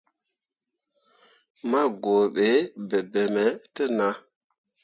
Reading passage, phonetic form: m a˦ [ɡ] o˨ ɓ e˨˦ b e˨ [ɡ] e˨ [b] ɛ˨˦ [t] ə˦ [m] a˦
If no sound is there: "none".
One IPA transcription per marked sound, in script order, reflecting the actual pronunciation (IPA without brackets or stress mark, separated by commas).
ɡ, b, m, t, n